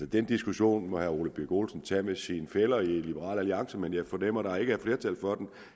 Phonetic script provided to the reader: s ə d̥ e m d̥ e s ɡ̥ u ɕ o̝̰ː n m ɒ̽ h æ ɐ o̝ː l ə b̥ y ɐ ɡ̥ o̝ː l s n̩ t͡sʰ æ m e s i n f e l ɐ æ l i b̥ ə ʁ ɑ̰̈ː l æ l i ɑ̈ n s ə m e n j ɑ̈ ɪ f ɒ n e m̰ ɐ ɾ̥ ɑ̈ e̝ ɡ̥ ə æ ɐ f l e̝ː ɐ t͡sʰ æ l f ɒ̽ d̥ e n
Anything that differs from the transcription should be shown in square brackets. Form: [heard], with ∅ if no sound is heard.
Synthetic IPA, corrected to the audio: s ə d̥ e [n] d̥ [i] s ɡ̥ u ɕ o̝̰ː n m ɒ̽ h æ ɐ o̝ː l ə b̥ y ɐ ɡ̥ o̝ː l s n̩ t͡sʰ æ m e s i n f e l ɐ [i] l i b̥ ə ʁ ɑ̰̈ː l æ l i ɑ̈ [ŋ] s ə m e n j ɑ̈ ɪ f ɒ n e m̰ ɐ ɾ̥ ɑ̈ e̝ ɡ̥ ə æ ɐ f l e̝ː ɐ t͡sʰ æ l f ɒ̽ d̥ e n